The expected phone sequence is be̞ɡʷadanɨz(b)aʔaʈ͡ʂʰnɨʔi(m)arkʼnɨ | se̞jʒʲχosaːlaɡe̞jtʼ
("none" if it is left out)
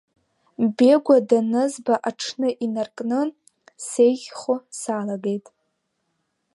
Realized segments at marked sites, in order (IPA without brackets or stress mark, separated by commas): b, n